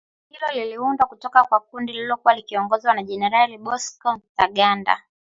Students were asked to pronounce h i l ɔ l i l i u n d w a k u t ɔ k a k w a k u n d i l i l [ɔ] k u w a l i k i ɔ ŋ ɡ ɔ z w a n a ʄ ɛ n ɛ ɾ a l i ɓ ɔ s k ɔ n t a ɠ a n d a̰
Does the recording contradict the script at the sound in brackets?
no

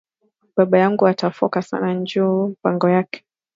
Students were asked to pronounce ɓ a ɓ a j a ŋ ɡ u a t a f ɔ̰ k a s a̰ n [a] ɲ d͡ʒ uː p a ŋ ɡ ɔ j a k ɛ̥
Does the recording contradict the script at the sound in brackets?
no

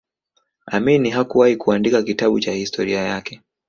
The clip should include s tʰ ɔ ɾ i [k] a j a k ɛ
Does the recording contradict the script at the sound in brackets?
yes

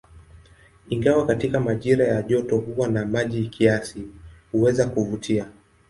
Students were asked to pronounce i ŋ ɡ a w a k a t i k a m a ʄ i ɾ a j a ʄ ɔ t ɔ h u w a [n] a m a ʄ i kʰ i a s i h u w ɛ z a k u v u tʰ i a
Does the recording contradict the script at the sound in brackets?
no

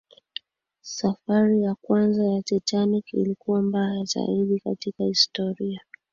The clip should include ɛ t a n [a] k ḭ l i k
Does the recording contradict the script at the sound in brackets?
yes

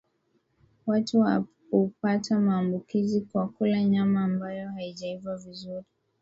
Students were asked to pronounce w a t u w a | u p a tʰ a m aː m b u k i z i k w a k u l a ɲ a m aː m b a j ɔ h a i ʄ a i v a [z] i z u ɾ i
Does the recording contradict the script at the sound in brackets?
yes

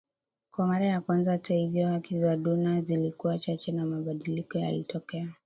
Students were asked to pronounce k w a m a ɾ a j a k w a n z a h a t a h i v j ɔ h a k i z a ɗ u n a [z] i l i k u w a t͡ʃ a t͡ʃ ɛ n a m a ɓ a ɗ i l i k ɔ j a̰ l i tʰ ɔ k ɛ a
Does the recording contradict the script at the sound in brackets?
no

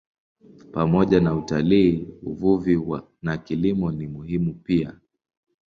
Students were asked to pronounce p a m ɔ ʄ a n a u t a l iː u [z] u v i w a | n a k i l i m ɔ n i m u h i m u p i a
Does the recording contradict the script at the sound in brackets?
yes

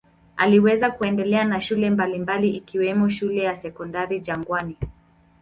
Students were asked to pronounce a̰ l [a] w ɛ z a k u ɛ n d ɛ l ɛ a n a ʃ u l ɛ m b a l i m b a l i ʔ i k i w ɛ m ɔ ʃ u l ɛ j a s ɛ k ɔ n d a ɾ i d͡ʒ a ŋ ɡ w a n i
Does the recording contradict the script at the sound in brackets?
yes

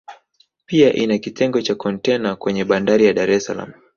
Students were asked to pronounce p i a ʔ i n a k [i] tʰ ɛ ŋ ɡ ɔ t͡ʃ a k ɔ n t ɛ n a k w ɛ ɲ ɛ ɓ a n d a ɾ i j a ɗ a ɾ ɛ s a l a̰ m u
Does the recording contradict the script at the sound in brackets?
no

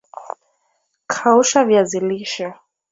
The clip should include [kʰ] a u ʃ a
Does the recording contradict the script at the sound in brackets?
no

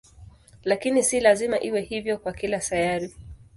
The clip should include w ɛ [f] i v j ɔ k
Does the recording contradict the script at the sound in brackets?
yes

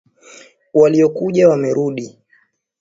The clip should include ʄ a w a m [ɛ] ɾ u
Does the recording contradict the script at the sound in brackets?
no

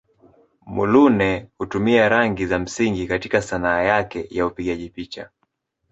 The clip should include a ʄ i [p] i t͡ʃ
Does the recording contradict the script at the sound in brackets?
no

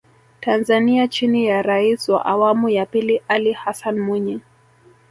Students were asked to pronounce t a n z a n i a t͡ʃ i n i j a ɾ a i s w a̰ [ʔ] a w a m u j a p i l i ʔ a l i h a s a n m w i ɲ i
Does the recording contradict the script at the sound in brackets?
no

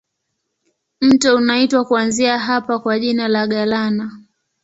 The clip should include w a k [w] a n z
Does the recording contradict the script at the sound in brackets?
yes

